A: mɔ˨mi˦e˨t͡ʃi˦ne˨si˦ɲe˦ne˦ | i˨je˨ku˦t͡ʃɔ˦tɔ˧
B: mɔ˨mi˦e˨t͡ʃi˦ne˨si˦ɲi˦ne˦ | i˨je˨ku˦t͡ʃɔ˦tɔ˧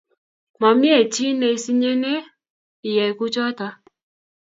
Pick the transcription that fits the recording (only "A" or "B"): A